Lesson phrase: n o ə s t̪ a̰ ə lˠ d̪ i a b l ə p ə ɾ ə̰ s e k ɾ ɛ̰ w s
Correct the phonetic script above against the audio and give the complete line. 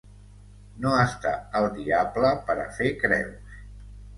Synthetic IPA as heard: n o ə s t̪ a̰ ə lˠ d̪ i a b l ə p ə ɾ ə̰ f e k ɾ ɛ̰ w s